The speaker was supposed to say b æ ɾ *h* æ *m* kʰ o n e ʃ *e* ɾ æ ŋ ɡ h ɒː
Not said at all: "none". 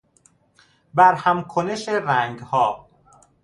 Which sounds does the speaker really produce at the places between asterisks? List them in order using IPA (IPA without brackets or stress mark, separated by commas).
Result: h, m, e